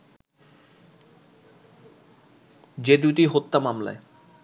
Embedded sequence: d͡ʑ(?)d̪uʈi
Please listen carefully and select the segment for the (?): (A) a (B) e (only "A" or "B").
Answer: B